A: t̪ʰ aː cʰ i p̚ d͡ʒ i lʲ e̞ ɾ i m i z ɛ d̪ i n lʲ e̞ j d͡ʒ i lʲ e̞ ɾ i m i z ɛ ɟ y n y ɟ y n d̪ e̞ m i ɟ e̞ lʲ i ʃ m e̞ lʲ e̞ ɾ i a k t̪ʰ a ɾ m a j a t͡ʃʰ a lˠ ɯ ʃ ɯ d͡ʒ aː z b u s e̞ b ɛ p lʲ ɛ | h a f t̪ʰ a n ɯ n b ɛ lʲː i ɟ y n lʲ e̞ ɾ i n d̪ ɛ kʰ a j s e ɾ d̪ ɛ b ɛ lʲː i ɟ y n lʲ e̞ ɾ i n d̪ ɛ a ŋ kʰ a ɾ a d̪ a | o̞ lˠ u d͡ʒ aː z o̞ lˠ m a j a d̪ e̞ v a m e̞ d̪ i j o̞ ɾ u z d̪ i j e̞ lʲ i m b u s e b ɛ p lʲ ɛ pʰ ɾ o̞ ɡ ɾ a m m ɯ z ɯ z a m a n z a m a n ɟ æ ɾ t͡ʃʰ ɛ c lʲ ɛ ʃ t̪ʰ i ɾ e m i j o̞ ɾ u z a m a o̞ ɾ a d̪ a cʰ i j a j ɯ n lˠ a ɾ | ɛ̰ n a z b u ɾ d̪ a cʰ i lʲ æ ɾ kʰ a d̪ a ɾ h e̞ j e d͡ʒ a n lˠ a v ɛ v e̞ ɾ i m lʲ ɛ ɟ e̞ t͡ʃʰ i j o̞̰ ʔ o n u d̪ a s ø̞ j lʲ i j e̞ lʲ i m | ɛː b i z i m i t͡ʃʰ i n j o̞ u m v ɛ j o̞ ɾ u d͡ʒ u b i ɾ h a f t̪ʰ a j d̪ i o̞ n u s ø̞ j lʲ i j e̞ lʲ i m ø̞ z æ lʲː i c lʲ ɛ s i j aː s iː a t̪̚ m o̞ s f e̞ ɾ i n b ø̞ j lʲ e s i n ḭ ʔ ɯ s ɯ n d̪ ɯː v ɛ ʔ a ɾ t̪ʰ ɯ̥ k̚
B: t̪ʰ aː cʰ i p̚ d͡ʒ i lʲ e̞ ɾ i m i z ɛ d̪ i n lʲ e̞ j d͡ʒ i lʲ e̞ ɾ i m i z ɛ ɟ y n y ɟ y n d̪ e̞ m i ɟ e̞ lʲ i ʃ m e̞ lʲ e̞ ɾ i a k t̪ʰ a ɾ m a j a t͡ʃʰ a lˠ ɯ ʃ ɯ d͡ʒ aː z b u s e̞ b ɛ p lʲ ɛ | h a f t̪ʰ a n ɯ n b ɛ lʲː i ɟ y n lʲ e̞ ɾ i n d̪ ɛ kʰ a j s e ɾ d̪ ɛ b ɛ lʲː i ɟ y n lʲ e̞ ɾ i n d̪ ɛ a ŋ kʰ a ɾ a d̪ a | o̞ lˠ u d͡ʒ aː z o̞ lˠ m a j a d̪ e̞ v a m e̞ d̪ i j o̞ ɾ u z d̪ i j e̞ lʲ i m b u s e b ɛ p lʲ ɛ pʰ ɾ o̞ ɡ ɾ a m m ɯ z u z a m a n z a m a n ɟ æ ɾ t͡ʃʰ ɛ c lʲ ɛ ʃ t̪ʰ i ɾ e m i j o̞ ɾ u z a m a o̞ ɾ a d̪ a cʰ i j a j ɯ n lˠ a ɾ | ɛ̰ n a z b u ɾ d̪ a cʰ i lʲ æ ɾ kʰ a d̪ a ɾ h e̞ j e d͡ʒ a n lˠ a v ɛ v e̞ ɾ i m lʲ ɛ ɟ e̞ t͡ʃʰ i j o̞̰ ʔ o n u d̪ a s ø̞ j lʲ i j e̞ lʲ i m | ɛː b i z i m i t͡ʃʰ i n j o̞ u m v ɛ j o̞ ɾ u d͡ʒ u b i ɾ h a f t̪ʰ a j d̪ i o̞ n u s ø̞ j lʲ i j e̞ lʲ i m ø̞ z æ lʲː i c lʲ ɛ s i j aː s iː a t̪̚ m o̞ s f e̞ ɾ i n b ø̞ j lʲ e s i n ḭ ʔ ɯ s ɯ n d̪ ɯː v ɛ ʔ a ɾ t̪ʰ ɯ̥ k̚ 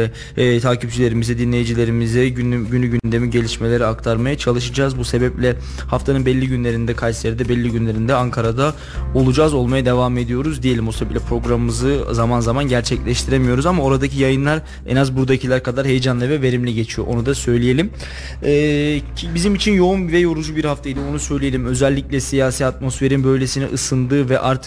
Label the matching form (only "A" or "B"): A